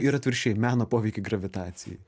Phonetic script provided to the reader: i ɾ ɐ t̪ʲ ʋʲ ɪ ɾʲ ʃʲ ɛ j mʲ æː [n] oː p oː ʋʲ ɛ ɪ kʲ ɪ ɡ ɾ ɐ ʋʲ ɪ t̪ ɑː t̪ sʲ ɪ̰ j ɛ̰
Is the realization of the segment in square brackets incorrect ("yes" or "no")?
no